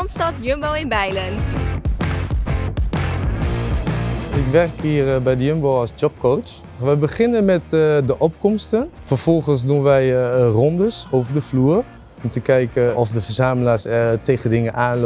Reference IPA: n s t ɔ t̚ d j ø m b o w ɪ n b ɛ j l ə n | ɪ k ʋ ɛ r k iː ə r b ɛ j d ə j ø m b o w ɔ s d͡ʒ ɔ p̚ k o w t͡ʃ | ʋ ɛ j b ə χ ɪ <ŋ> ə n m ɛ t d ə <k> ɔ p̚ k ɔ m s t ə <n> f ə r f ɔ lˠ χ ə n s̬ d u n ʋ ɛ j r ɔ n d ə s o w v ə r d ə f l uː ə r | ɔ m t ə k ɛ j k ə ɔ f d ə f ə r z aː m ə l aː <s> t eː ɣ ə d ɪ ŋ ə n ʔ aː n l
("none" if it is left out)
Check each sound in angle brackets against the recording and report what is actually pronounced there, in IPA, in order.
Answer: n, ʔ, n, s

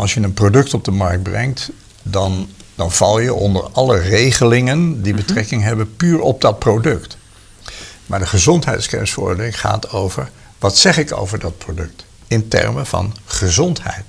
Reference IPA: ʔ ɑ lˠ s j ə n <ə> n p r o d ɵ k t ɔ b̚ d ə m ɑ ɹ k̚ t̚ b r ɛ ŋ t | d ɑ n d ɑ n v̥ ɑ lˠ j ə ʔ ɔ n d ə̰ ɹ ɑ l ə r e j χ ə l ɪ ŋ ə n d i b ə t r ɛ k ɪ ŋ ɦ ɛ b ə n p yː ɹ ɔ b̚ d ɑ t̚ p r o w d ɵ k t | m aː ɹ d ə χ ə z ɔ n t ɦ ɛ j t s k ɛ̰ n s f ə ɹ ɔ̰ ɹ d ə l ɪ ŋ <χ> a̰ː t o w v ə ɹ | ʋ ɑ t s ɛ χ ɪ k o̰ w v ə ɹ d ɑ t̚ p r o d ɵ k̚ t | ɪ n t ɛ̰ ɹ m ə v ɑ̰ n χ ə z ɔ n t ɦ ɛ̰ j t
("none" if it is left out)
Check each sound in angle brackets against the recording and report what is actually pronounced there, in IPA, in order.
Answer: ə, χ

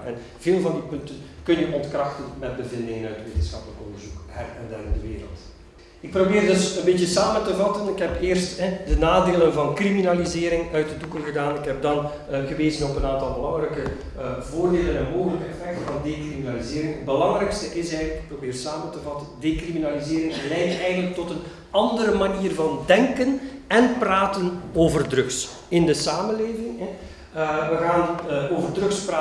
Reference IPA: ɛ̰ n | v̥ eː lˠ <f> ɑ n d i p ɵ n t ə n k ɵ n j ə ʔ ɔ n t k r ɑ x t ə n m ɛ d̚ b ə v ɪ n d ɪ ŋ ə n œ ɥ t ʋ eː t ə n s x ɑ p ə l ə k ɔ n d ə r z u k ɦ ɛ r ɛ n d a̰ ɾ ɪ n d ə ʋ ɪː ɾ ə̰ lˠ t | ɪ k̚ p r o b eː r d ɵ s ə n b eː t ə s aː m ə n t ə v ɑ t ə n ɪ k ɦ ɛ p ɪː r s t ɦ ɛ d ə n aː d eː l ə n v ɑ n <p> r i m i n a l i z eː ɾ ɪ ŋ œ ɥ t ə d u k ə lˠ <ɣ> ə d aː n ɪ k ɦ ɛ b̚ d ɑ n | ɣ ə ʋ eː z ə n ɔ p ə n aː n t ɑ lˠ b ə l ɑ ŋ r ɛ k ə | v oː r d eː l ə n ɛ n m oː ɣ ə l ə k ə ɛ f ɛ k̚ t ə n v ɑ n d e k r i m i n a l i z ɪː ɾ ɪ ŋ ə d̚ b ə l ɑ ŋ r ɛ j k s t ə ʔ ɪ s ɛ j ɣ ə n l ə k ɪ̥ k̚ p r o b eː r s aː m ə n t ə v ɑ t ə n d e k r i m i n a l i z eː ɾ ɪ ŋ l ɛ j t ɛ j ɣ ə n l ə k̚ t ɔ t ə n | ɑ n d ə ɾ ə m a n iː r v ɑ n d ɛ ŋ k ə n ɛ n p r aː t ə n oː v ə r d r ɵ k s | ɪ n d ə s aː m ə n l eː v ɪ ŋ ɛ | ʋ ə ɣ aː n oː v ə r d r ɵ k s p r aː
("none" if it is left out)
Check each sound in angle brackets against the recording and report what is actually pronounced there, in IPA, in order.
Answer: v, k, ɣ

